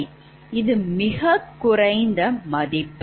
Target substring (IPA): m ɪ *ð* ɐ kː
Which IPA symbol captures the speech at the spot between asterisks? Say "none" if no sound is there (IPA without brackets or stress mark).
ɣ